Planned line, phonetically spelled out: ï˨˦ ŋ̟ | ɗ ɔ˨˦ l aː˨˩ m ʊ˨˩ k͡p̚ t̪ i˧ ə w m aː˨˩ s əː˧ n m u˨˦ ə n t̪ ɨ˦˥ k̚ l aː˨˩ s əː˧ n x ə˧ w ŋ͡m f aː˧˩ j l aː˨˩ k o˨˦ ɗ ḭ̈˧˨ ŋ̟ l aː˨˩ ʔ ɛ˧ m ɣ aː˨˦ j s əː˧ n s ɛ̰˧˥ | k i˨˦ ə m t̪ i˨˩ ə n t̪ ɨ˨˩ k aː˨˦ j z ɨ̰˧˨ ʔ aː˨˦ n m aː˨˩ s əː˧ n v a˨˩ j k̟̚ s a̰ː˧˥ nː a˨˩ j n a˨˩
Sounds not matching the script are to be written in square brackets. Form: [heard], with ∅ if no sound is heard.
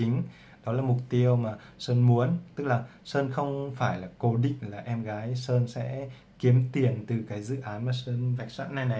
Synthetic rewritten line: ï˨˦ ŋ̟ | ɗ ɔ˨˦ l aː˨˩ m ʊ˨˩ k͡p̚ t̪ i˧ ə w m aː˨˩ s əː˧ n m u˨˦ ə n t̪ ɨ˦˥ k̚ l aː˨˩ s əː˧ n x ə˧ w ŋ͡m f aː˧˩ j l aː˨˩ k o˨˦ ɗ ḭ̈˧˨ ŋ̟ l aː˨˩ ʔ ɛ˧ m ɣ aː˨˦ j s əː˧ n s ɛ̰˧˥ | k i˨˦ ə m t̪ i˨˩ ə n t̪ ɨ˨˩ k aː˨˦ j z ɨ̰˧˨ ʔ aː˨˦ n m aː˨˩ s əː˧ n v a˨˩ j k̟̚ s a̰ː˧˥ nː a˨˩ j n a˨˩